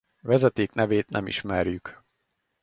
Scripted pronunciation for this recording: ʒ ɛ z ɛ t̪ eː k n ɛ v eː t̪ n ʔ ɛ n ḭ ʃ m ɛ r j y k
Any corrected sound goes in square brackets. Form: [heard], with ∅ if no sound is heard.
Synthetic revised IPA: [v] ɛ z ɛ t̪ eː k n ɛ v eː t̪ n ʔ ɛ [m] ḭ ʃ m ɛ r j y k